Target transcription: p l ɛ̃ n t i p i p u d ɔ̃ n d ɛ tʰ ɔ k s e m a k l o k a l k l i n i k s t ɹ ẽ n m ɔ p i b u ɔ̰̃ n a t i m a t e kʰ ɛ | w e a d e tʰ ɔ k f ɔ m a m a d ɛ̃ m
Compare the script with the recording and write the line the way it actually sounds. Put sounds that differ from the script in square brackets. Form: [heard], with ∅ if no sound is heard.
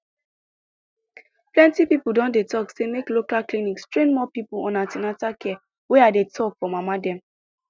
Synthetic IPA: p l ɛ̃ n t i p i p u d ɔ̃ n d [e] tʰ ɔ k s e m [e] k l o k a l k l i n i k s t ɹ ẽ n m ɔ p i [p] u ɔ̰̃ n a t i [n] a t [a] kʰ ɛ | w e a d e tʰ ɔ k f ɔ m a m a d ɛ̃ m